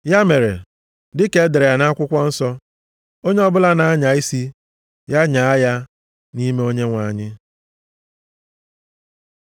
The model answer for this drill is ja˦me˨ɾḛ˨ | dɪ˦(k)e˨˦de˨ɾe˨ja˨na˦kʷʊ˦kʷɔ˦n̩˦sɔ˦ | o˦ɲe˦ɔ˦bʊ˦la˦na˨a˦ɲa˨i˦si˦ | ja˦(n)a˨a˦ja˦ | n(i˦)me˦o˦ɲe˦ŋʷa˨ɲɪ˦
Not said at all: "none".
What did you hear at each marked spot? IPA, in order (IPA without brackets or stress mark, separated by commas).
k, ɲ, i˦